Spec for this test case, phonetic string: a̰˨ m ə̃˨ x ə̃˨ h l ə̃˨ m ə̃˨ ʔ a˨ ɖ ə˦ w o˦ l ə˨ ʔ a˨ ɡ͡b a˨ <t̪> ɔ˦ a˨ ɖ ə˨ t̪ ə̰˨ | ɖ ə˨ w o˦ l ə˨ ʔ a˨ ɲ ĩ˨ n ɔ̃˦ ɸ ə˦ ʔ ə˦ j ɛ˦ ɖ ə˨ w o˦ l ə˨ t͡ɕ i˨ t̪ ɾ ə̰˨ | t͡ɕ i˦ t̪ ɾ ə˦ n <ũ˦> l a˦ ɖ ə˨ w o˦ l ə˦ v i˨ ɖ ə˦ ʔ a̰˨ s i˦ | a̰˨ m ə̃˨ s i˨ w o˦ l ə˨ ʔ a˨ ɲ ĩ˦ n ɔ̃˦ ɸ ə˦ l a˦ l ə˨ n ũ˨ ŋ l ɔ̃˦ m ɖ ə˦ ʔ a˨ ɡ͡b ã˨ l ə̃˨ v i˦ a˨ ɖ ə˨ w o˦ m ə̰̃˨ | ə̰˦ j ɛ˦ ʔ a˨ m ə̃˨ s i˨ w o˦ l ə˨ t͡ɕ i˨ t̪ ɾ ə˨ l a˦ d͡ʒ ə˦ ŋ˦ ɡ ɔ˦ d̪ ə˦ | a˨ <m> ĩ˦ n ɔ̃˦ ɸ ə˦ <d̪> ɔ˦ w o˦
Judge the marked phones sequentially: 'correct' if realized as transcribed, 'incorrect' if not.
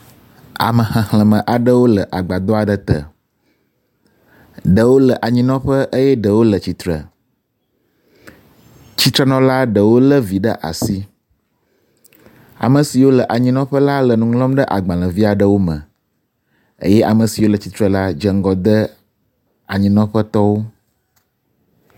incorrect, incorrect, incorrect, incorrect

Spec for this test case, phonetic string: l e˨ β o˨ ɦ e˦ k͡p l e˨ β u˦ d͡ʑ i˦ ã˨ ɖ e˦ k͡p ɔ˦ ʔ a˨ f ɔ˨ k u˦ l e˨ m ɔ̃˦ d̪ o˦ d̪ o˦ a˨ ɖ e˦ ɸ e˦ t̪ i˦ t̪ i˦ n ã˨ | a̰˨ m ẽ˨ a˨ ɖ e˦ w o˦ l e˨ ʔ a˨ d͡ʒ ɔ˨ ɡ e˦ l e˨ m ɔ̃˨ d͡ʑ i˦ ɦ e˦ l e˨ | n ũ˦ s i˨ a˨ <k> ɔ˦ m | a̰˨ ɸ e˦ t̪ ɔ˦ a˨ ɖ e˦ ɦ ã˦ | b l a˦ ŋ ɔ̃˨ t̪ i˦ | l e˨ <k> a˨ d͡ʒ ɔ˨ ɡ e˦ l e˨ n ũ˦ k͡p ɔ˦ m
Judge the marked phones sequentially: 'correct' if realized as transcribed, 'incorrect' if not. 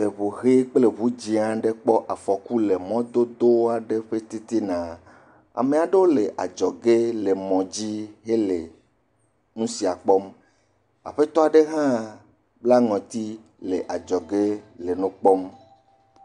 incorrect, incorrect

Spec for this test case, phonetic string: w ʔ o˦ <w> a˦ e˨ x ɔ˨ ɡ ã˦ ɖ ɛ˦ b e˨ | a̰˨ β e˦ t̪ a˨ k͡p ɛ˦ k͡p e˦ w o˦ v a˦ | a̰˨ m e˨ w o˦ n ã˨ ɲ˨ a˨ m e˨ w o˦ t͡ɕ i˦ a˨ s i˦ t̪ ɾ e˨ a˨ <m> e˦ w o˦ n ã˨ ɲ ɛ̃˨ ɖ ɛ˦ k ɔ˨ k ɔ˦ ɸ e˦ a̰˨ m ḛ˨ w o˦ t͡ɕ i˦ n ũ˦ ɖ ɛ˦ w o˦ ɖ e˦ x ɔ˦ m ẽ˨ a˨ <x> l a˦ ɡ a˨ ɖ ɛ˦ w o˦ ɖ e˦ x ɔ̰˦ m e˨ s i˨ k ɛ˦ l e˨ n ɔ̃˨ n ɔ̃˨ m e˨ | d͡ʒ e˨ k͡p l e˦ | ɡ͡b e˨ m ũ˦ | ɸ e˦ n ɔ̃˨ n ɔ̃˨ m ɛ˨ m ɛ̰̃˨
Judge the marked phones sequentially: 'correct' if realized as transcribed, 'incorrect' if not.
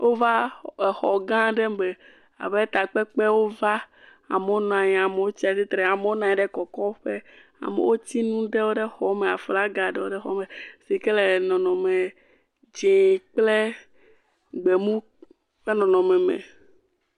incorrect, correct, incorrect

